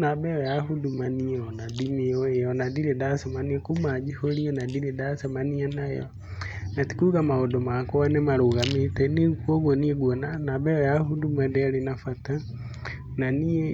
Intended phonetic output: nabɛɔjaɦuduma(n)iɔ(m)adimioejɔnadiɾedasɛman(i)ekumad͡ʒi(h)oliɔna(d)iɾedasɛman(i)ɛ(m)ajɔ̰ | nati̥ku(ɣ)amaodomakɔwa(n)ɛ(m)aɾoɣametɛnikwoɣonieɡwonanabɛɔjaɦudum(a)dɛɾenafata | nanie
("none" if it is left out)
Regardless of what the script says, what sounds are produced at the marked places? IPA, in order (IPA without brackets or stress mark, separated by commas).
n, n, i, h, d, i, n, ɣ, n, m, a